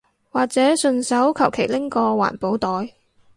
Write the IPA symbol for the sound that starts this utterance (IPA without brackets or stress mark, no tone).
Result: w